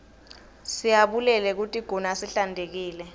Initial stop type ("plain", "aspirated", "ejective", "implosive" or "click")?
implosive